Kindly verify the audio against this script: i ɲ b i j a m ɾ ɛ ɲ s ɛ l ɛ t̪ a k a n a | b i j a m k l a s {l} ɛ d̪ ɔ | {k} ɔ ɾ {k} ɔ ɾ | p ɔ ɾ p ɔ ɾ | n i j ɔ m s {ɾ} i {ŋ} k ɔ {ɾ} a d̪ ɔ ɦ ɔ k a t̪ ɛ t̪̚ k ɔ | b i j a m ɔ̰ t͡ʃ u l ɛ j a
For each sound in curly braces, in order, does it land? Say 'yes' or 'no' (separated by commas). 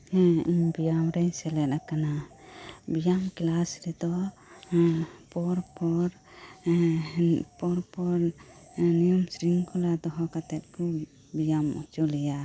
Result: no, no, no, yes, yes, no